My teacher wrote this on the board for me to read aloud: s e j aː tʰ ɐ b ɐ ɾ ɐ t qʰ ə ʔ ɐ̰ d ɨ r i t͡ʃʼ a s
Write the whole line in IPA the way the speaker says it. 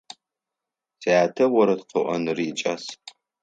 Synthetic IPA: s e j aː tʰ ɐ w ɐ ɾ ɐ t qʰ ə ʔ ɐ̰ n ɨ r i t͡ʃʼ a s